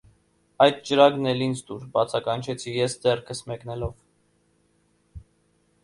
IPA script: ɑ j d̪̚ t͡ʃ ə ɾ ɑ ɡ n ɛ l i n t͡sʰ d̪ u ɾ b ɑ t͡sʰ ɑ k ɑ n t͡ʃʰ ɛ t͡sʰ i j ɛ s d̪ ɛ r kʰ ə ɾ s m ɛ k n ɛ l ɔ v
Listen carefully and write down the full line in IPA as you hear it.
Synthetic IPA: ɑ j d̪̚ t͡ʃ ə ɾ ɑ ɡ n ɛ l i n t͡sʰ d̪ u ɾ b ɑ t͡sʰ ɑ k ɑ n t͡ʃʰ ɛ t͡sʰ i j ɛ s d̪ ɛ r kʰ ə s m ɛ k n ɛ l ɔ v